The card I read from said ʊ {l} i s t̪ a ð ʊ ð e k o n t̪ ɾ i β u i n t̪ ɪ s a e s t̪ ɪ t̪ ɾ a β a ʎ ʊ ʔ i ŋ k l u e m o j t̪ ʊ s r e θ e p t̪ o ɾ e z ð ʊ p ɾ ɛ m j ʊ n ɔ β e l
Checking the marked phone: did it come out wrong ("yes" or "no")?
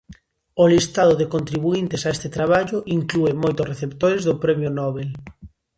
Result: no